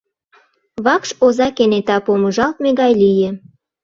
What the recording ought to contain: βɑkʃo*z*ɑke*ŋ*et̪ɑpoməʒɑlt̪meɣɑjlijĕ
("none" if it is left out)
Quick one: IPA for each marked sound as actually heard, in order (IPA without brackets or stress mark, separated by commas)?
z, n